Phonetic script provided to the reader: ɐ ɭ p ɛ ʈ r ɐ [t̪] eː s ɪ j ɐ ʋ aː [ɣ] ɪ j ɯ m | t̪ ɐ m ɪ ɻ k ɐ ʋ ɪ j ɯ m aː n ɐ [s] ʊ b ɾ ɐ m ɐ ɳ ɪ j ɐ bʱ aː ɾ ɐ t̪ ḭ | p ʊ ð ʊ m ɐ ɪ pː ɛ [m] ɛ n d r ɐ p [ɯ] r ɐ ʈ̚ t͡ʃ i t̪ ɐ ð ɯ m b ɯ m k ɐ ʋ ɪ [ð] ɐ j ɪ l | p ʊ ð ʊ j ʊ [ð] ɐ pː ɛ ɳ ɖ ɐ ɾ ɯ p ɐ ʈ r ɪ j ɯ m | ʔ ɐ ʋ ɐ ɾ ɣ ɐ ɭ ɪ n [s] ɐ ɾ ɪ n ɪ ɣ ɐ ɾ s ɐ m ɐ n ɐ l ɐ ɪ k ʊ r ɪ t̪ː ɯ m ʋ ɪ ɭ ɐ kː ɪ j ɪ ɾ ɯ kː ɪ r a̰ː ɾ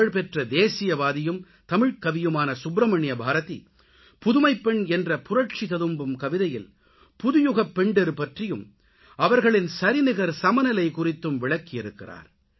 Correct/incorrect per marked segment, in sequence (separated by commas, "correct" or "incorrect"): incorrect, incorrect, correct, incorrect, incorrect, correct, incorrect, correct